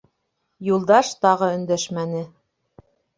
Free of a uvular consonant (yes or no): no